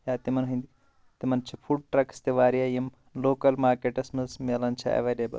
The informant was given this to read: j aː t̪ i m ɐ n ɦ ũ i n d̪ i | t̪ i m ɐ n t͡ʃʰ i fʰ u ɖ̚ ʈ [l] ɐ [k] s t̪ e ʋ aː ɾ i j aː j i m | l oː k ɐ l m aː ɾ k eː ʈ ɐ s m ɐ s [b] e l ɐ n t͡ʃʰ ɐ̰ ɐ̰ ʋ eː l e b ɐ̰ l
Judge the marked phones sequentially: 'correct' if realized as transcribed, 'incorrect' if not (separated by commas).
incorrect, correct, incorrect